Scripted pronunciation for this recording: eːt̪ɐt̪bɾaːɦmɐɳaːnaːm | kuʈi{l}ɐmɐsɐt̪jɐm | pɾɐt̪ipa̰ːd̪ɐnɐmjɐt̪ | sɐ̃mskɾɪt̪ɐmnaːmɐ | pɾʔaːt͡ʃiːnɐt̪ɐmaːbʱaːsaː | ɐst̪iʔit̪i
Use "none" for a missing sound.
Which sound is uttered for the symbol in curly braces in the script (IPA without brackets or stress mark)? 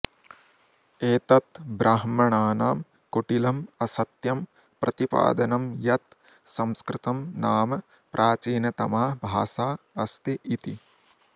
l